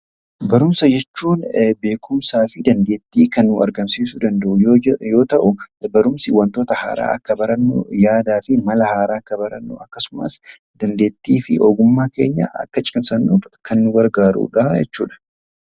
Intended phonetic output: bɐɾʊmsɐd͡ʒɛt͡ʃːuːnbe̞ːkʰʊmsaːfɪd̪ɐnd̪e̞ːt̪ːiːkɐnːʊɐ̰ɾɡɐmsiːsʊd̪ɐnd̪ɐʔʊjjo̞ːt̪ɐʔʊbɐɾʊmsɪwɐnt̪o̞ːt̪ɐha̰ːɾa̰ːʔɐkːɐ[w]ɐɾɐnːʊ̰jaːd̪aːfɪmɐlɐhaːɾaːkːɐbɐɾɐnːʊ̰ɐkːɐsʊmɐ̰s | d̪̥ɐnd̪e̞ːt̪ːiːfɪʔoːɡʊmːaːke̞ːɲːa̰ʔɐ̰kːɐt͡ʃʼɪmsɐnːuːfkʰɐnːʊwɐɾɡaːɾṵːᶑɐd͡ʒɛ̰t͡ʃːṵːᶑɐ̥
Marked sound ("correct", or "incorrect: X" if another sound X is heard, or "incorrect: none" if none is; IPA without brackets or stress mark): incorrect: b